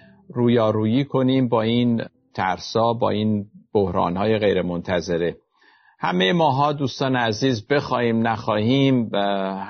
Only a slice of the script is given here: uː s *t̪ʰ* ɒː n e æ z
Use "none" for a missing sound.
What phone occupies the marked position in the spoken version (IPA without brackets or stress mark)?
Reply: t̪